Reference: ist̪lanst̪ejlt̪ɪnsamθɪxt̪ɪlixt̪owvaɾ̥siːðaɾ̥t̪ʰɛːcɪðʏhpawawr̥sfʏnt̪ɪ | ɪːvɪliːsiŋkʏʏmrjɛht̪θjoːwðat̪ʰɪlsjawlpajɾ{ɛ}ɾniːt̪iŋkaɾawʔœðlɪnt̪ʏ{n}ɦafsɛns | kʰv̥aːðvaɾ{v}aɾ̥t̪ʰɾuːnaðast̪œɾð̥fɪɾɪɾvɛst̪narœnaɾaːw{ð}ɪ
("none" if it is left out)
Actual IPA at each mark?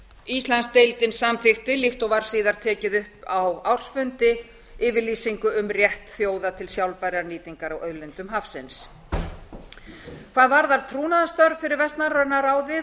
a, m, ð, ð

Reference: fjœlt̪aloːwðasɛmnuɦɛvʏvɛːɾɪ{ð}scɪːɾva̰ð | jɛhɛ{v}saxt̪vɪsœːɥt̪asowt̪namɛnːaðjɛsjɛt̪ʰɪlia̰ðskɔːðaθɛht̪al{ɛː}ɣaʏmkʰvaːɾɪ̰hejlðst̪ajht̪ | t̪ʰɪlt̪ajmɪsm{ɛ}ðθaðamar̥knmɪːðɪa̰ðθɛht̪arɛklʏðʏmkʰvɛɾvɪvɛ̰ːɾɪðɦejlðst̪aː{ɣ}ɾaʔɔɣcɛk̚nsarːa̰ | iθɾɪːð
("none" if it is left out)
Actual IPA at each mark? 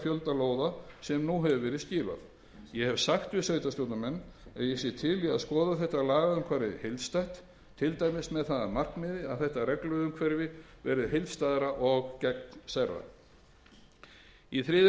ð, v, aː, ɛ, ð

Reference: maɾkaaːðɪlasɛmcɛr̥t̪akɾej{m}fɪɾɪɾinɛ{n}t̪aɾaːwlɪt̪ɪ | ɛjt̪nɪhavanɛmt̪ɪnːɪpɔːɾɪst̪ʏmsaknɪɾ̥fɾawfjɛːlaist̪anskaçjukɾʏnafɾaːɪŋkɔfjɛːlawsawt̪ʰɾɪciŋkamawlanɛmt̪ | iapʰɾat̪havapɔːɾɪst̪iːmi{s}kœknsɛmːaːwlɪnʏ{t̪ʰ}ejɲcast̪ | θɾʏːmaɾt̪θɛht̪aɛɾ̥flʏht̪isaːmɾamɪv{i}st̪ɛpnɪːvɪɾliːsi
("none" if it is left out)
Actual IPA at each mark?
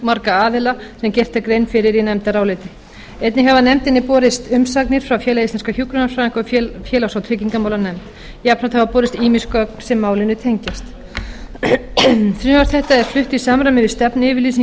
n, m, s, t̪ʰ, ɪ

